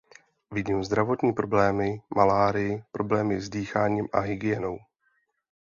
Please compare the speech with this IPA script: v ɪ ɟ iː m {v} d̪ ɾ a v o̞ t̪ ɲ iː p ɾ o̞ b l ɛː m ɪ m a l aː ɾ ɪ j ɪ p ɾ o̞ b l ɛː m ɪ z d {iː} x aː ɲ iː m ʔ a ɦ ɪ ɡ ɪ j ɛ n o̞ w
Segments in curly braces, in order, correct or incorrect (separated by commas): incorrect, correct